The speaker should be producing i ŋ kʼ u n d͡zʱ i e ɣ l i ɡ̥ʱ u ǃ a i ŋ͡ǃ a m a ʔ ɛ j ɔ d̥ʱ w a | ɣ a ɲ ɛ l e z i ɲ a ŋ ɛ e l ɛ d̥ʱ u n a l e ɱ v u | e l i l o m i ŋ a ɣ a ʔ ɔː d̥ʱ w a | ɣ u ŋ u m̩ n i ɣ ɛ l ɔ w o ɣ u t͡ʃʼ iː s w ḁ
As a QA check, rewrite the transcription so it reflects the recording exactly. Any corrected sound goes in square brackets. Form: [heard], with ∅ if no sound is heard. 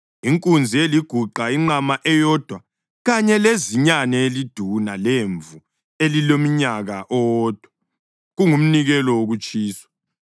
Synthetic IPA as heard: i ŋ kʼ u n d͡zʱ i e [∅] l i ɡ̥ʱ u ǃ a i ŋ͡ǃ a m a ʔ ɛ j ɔ d̥ʱ w a | ɣ a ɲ ɛ l e z i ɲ a [n] ɛ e l [i] d̥ʱ u n a l e ɱ v u | e l i l o m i [ɲ] a ɣ a ʔ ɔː d̥ʱ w a | ɣ u ŋ u m̩ n i ɣ ɛ l ɔ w o ɣ u t͡ʃʼ iː s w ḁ